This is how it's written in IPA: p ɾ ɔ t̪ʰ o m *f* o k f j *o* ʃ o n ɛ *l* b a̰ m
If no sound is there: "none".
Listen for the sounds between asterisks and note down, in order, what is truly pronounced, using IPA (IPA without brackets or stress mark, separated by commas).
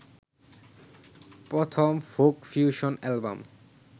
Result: f, u, l